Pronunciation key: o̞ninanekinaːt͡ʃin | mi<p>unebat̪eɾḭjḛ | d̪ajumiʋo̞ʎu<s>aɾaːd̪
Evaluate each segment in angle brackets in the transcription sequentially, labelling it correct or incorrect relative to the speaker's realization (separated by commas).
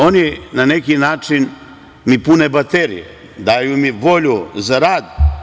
correct, incorrect